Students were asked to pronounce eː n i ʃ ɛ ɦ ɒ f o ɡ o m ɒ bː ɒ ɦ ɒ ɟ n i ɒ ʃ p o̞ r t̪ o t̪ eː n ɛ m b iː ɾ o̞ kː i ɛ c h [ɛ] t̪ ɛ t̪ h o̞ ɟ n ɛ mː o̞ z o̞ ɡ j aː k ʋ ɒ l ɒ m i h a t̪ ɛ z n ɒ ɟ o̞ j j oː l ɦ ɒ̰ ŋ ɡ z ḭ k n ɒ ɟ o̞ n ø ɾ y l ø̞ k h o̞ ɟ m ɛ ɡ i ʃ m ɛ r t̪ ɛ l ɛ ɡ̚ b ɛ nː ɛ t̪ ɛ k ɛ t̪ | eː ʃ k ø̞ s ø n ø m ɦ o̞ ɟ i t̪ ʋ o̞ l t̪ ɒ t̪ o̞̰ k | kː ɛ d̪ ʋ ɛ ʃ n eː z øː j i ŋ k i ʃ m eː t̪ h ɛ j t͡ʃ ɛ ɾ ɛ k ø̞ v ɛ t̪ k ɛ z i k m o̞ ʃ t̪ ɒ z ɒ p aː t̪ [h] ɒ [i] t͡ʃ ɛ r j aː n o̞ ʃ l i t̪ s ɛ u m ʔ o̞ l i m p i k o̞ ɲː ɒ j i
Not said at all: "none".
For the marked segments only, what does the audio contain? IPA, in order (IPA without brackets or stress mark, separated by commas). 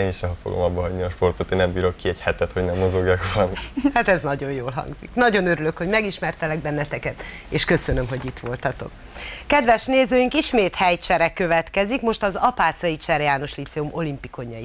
ɛ, s, i